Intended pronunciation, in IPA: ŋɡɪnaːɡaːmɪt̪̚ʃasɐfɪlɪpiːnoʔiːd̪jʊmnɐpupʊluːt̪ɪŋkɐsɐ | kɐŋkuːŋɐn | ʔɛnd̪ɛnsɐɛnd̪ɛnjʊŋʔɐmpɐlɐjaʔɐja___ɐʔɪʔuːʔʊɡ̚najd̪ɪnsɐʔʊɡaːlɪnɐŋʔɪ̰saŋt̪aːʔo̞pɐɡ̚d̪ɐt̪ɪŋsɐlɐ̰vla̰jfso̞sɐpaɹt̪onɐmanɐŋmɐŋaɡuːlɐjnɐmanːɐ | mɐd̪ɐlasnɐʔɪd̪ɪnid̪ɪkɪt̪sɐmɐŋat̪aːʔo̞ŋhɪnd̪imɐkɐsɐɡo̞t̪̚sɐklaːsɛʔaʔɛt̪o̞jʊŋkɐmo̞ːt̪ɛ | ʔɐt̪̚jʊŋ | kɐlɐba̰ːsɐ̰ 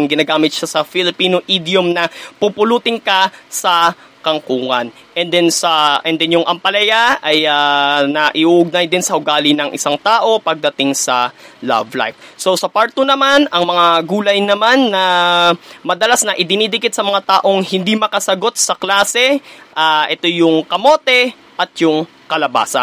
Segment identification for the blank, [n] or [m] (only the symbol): n